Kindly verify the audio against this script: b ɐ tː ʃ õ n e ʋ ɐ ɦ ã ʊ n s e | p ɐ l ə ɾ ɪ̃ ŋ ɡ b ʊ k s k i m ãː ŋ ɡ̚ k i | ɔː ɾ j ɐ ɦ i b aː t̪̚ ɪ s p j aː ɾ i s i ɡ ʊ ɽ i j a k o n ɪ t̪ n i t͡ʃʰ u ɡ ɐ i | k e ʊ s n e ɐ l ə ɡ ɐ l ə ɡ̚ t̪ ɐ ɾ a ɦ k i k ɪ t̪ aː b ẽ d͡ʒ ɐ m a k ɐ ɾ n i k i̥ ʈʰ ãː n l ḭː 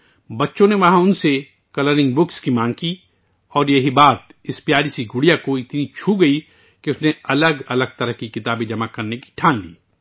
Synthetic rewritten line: b ɐ tː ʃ õ n e ʋ ɐ ɦ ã ʊ n s e | k ɐ l ə ɾ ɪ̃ ŋ ɡ b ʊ k s k i m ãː ŋ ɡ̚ k i | ɔː ɾ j ɐ ɦ i b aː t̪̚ ɪ s p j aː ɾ i s i ɡ ʊ ɽ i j a k o ɪ t̪ n i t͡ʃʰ u ɡ ɐ i | k e ʊ s n e ɐ l ə ɡ ɐ l ə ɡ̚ t̪ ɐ ɾ ə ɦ k i k ɪ t̪ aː b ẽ d͡ʒ ɐ m a k ɐ ɾ n e k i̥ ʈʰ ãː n l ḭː